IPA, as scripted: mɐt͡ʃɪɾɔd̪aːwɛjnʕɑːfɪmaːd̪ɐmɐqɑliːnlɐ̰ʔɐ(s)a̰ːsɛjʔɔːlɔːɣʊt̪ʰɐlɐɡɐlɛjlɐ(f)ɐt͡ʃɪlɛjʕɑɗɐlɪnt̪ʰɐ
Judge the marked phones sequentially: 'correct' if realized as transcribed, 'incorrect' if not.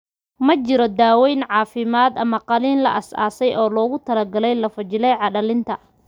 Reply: correct, correct

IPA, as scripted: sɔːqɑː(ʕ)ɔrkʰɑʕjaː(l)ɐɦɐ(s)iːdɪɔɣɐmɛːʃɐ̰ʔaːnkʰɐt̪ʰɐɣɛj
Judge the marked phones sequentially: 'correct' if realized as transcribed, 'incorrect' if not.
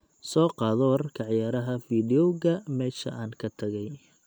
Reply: incorrect, incorrect, incorrect

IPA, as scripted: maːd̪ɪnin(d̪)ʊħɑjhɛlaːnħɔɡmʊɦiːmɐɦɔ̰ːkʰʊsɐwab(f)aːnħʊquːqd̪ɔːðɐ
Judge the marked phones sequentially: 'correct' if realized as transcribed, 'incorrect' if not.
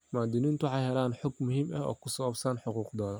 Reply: incorrect, incorrect

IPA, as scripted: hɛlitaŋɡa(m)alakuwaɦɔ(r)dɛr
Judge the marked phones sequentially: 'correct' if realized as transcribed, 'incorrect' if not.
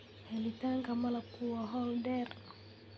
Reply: correct, incorrect

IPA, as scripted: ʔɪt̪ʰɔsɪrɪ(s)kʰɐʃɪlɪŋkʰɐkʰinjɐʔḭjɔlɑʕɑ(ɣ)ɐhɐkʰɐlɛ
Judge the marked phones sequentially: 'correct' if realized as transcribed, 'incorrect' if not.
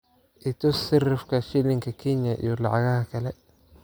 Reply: incorrect, correct

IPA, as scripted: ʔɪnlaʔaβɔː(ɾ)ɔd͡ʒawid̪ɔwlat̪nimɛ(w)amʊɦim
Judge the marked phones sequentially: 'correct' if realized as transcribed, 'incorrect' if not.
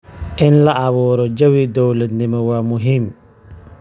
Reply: correct, correct

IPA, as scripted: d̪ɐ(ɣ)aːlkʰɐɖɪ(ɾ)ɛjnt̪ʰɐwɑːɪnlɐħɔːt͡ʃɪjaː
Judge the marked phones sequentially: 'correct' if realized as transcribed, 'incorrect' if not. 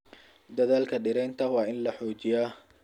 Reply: incorrect, correct

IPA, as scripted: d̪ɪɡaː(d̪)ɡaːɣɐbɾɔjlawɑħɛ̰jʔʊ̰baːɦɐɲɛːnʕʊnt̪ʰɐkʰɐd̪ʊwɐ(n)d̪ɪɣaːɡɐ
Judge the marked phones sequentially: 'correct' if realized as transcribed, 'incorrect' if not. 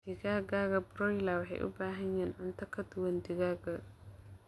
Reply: incorrect, correct

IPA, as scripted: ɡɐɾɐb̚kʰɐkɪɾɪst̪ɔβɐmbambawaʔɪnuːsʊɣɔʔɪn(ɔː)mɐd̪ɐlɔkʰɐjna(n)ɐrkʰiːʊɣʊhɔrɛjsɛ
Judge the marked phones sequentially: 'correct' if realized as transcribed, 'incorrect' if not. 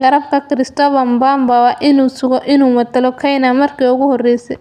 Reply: incorrect, incorrect

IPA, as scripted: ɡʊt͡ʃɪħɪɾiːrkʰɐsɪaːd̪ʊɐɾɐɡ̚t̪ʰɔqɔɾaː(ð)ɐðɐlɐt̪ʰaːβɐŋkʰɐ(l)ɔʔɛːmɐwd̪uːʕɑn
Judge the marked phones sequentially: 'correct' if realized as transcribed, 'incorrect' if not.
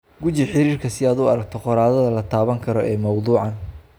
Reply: correct, incorrect

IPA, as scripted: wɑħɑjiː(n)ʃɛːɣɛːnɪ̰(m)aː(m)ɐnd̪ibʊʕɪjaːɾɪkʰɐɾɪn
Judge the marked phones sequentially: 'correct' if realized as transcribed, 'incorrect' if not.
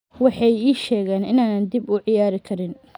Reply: incorrect, incorrect, incorrect

